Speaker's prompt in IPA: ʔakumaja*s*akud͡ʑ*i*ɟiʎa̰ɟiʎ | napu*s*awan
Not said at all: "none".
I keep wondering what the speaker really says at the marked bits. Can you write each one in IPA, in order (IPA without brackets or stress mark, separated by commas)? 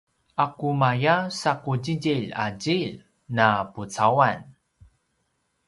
s, i, t͡s